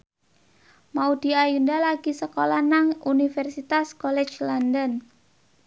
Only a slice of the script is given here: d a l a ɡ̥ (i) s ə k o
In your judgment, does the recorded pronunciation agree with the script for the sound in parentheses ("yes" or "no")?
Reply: yes